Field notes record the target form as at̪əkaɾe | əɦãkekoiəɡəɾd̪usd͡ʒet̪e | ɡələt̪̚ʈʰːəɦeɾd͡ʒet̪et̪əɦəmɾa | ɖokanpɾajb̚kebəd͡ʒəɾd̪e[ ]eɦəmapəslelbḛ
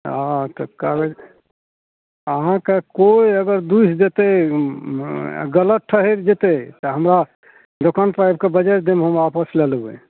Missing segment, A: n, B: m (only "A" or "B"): B